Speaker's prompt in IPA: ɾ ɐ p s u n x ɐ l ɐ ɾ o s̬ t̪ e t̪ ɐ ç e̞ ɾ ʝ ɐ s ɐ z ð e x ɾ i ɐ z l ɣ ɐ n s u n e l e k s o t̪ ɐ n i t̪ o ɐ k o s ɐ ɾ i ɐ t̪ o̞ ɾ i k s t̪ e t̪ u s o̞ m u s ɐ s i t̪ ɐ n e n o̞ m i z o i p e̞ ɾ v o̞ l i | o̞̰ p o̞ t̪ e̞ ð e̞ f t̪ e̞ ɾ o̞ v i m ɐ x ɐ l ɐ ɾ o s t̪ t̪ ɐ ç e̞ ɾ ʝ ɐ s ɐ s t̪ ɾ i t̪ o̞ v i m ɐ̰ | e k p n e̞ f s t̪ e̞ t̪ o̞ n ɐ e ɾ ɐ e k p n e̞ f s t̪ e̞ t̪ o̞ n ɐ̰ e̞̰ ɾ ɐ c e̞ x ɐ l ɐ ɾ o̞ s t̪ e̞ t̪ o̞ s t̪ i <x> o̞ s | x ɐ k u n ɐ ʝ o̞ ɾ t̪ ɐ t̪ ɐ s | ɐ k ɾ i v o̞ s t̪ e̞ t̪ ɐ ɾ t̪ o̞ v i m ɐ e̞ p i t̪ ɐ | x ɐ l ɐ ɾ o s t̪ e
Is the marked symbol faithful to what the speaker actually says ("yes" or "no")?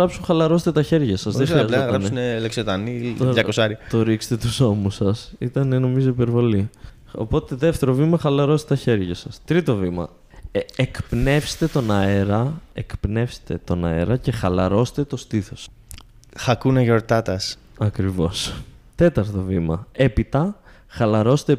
no